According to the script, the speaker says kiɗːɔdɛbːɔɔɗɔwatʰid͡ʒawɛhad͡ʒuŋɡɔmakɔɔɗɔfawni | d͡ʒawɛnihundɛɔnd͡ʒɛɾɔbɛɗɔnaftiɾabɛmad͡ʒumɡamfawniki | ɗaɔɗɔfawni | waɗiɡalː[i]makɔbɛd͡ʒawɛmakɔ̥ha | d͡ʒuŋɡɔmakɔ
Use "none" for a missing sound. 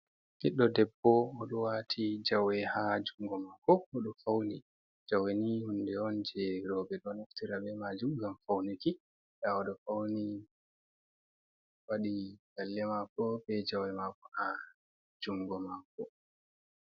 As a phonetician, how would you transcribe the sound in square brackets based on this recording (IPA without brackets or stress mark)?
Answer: ɛ